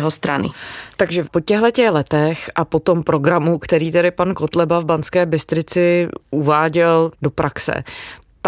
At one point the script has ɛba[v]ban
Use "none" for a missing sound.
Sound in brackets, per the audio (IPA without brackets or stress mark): v